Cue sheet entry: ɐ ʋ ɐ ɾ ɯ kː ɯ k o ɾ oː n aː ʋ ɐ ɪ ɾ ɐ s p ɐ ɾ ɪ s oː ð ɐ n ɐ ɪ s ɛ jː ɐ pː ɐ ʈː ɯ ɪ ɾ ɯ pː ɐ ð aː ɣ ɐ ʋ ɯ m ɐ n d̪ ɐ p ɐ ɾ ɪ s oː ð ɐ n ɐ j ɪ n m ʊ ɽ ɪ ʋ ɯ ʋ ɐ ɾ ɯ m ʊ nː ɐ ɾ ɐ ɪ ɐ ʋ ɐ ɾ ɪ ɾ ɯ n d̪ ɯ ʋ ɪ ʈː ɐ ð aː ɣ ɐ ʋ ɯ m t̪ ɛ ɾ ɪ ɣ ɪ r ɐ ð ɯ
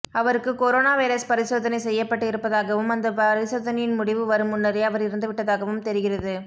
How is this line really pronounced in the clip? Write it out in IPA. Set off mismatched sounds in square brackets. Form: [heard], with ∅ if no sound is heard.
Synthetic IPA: ɐ ʋ ɐ ɾ ɯ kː ɯ k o ɾ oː n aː ʋ ɐ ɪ ɾ ɐ s p ɐ ɾ ɪ s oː ð ɐ n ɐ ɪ s ɛ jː ɐ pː ɐ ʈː ɯ ɪ ɾ ɯ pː ɐ ð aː ɣ ɐ ʋ ɯ m ɐ n d̪ ɐ p ɐ ɾ ɪ s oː ð ɐ n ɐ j ɪ n m ʊ ɽ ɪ ʋ ɯ ʋ ɐ ɾ ɯ m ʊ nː ɐ ɾ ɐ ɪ ɐ ʋ ɐ ɾ ɪ ɾ ɯ n d̪ ɯ ʋ ɪ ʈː ɐ ð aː ɣ ɐ ʋ ɯ m t̪ ɛ ɾ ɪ ɣ ɪ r ɐ ð ɯ